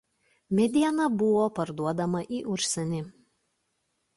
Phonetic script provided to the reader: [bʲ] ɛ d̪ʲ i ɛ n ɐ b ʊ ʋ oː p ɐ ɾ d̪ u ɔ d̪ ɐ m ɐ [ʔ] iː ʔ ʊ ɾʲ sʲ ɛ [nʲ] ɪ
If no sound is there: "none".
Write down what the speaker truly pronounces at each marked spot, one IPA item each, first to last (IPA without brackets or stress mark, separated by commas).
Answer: mʲ, ʔ, nʲ